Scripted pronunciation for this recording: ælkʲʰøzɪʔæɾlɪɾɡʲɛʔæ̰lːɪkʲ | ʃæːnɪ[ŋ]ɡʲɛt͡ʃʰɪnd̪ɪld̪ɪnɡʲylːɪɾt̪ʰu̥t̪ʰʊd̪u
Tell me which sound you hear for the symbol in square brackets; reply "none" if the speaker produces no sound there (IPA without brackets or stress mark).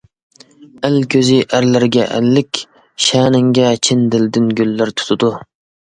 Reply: ŋ